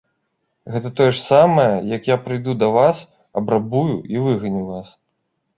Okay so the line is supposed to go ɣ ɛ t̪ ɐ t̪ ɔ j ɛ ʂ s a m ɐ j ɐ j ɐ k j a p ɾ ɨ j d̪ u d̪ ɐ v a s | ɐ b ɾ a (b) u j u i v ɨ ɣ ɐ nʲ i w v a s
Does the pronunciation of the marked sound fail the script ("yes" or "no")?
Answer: no